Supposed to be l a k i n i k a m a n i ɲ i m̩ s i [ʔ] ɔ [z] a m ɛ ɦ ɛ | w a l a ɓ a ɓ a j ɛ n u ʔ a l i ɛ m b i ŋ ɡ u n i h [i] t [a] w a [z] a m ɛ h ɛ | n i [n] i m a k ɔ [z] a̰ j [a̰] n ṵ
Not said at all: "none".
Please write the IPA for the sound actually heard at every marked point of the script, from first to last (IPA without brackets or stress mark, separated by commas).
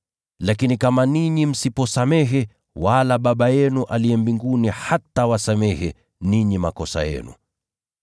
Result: p, s, a, a, s, ɲ, s, ɛ̰